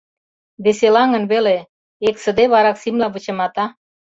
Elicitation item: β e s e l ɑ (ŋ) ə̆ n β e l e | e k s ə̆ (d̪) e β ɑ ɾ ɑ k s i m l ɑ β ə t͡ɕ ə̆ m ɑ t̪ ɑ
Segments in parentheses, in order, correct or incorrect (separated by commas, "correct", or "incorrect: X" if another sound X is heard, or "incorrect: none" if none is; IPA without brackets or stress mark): correct, correct